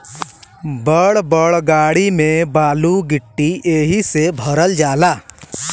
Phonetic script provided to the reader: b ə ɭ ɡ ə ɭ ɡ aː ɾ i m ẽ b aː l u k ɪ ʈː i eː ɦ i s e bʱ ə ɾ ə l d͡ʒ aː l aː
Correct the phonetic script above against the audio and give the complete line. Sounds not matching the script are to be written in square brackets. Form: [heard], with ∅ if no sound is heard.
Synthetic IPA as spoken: b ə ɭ [b] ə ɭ ɡ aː [ɽ] i m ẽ b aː l u [ɡ] ɪ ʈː i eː ɦ i s e bʱ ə ɾ ə l d͡ʒ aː l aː